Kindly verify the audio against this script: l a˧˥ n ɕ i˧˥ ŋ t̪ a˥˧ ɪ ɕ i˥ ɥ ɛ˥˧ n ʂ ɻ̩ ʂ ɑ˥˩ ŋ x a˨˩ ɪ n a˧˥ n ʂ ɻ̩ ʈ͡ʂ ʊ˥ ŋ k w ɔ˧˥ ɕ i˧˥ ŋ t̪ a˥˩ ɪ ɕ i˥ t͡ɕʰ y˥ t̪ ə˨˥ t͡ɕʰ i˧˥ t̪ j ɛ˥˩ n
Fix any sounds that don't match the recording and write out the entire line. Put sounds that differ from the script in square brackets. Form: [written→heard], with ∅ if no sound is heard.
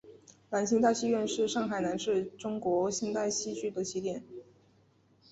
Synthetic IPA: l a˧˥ n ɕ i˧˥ ŋ t̪ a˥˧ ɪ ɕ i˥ ɥ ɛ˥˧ n ʂ ɻ̩ ʂ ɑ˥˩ ŋ x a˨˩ ɪ n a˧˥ n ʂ ɻ̩ ʈ͡ʂ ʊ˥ ŋ k w ɔ˧˥ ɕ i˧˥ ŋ t̪ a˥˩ ɪ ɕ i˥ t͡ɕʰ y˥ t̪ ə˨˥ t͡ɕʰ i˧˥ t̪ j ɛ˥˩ n